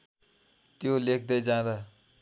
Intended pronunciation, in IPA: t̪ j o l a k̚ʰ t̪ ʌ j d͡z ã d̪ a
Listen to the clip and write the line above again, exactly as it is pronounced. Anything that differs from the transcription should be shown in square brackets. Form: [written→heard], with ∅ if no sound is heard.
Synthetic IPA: t̪ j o l [a→e] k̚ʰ [t̪→d̪] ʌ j d͡z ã d̪ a